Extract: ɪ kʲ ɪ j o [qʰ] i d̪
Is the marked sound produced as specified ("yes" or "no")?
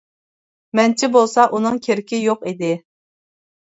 no